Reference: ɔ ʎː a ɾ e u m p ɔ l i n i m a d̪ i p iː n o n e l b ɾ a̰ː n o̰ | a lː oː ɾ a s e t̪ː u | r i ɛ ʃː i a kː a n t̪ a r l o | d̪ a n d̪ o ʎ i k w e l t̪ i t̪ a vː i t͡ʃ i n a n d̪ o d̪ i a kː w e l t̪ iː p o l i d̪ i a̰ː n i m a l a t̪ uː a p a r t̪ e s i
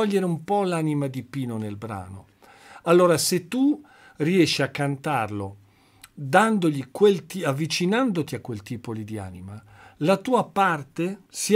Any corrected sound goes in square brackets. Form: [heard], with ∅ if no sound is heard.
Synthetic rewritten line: ɔ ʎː [e] ɾ e u m p ɔ l [a] n i m a d̪ i p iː n o n e l b ɾ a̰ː n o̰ | a lː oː ɾ a s e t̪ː u | r i ɛ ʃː i a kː a n t̪ a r l o | d̪ a n d̪ o ʎ i k w e l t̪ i [∅] a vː i t͡ʃ i n a n d̪ o [t̪] i a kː w e l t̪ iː p o l i d̪ i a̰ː n i m a l a t̪ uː a p a r t̪ e s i